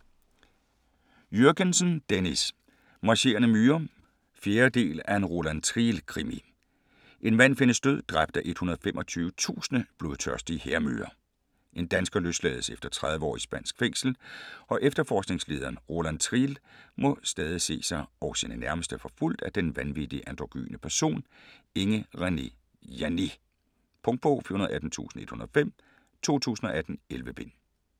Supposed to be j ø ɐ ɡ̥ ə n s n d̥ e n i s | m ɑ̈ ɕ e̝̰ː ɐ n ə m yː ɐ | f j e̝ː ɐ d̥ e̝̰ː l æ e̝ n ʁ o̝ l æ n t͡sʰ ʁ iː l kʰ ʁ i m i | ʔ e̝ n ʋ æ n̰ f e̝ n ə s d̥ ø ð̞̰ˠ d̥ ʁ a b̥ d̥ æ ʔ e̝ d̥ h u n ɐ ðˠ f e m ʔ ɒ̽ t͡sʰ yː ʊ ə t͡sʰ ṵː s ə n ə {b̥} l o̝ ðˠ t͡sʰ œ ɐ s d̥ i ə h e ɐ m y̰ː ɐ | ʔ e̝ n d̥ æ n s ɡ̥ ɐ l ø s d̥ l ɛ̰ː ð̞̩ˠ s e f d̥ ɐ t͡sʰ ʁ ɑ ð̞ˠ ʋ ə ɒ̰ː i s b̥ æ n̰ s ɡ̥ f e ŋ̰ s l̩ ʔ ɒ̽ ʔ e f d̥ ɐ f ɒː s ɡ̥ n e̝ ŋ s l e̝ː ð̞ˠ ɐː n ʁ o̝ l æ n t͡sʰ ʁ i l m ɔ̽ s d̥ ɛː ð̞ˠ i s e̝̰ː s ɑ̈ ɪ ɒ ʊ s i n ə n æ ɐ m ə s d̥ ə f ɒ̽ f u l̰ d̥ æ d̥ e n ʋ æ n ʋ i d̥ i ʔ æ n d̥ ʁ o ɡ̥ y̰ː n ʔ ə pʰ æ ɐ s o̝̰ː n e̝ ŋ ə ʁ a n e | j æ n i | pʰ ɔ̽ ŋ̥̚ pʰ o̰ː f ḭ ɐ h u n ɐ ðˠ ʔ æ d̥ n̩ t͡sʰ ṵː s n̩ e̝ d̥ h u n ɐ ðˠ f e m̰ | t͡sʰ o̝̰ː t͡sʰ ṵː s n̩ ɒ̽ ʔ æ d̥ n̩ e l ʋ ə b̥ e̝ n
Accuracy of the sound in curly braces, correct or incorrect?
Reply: correct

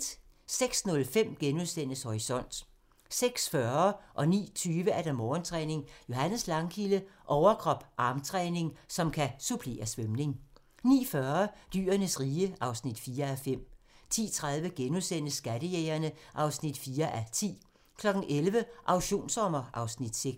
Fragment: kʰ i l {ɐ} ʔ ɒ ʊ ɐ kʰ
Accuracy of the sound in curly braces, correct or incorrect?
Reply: incorrect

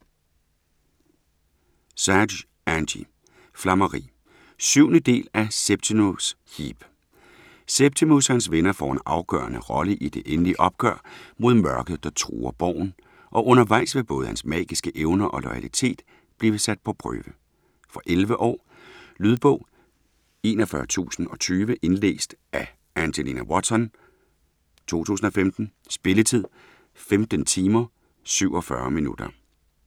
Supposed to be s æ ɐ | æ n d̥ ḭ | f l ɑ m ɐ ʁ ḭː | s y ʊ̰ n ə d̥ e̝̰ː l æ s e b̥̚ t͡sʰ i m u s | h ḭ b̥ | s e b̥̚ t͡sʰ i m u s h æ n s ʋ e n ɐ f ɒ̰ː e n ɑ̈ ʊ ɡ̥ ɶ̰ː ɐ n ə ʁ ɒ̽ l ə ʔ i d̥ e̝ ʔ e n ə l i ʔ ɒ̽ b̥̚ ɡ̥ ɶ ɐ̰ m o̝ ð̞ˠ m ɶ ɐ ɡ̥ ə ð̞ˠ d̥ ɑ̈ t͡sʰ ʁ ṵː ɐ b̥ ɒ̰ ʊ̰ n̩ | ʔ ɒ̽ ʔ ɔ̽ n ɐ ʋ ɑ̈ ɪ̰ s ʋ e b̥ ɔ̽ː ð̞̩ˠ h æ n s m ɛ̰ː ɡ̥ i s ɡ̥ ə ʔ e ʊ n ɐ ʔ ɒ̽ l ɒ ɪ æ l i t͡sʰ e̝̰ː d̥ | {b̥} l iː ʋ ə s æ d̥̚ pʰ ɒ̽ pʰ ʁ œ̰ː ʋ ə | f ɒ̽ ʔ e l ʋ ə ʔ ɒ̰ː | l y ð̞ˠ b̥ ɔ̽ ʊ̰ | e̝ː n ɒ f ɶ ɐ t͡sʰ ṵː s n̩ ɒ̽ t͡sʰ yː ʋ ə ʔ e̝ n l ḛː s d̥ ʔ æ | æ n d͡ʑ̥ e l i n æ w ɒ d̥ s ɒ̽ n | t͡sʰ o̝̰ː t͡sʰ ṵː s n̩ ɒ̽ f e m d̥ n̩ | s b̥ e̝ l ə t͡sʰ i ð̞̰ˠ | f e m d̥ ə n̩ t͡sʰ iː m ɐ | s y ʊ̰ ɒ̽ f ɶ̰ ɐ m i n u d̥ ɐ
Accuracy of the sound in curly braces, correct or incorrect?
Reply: correct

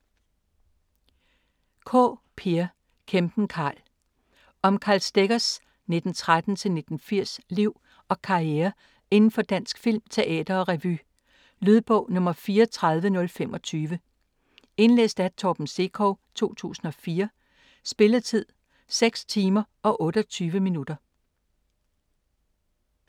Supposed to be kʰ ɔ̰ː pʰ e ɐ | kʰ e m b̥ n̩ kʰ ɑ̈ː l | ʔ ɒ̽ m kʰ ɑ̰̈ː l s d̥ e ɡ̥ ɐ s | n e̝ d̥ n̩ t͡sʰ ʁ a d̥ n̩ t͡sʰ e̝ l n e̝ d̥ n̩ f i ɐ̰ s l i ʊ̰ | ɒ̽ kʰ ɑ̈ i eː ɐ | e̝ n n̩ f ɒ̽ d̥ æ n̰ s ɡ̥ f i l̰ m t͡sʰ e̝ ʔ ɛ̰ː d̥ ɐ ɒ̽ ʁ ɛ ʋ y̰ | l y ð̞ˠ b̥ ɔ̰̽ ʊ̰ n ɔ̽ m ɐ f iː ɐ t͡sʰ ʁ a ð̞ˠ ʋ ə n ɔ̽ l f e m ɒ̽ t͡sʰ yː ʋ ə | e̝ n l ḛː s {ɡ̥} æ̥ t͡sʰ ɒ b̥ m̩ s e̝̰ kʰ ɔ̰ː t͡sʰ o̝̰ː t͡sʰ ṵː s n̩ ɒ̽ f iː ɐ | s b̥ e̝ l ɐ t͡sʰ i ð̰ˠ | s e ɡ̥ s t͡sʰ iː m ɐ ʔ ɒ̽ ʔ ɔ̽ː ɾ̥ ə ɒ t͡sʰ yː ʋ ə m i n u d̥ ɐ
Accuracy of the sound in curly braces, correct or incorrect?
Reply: incorrect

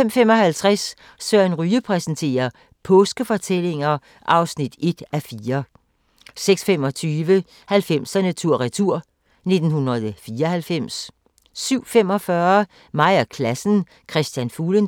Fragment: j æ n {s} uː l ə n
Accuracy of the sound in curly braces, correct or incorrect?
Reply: incorrect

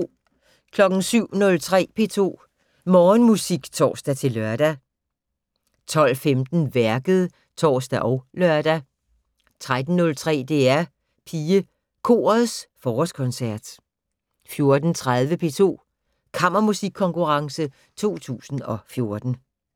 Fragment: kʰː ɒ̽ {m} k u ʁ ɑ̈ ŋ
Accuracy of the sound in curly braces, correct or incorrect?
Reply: incorrect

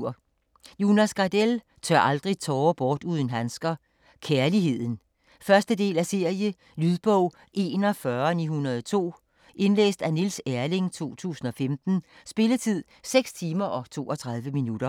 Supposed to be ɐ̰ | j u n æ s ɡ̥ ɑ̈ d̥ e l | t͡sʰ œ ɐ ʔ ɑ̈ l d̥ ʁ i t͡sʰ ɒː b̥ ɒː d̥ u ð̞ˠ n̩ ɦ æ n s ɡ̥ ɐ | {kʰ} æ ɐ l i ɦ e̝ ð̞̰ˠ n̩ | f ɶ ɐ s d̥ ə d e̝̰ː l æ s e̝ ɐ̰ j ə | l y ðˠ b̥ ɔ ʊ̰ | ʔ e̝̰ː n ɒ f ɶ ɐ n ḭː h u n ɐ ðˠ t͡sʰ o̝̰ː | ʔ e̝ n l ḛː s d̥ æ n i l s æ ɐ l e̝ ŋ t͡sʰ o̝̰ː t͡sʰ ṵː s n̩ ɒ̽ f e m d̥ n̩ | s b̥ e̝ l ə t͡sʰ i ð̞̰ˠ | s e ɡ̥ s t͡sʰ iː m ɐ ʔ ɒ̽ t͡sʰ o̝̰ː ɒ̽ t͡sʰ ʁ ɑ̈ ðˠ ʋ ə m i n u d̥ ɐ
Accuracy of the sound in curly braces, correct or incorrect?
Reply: correct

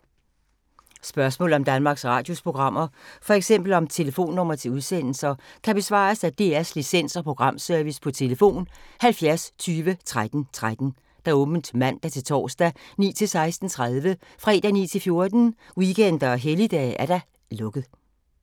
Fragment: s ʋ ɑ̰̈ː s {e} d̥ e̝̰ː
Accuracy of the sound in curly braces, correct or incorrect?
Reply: incorrect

